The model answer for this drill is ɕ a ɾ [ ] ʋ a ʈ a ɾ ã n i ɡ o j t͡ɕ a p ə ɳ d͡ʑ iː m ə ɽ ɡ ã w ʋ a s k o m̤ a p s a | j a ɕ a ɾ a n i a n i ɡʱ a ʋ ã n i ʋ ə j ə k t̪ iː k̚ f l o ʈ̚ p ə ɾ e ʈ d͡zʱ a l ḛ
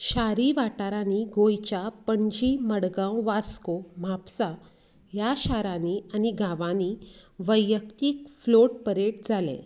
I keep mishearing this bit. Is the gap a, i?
i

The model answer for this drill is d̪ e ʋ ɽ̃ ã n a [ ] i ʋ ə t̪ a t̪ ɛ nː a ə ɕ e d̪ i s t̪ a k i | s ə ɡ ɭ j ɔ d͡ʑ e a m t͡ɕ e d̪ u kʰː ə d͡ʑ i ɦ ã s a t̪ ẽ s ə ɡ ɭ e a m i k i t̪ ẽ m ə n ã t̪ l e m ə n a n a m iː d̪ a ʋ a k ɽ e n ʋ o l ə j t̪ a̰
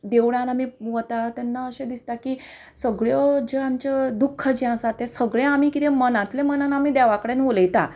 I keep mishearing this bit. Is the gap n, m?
m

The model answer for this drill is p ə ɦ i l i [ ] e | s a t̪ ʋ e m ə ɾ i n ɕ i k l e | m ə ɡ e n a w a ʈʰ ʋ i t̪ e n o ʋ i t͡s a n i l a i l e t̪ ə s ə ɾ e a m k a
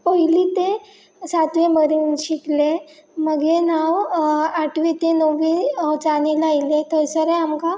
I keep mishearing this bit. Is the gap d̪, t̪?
t̪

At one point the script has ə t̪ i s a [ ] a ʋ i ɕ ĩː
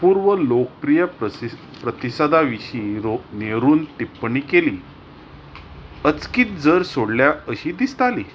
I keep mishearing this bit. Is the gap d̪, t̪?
d̪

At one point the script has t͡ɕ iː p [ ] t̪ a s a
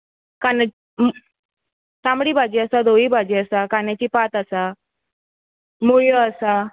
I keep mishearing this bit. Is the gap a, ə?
a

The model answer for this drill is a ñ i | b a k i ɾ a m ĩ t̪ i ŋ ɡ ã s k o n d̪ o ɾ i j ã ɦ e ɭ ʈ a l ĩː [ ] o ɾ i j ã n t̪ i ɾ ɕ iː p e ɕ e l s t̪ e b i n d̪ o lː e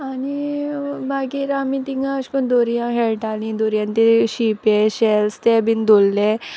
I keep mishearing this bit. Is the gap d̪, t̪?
d̪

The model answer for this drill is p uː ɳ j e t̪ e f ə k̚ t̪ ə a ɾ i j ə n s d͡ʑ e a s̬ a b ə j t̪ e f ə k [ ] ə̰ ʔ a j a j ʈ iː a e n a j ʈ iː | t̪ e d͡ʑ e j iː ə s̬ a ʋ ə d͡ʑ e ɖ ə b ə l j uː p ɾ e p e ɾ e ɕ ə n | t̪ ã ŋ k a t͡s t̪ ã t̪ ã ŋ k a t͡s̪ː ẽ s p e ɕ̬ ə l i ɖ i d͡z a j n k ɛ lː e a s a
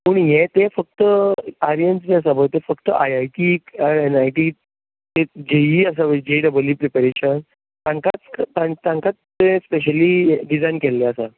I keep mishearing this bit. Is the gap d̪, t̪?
t̪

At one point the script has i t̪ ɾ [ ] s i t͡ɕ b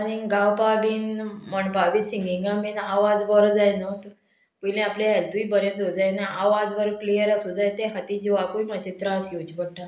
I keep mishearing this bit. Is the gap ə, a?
a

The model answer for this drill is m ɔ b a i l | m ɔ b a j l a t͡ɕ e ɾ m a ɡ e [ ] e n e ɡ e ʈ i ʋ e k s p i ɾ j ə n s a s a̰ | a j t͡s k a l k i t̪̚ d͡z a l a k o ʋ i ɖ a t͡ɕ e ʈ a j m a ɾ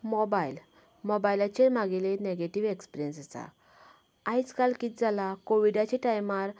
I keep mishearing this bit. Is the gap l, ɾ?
l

